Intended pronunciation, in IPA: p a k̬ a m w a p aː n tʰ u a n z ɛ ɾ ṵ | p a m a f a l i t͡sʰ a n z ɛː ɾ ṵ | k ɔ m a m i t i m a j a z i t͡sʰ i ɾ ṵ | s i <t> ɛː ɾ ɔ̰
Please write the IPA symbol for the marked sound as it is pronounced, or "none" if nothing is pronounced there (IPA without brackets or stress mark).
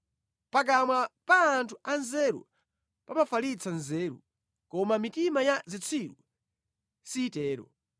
t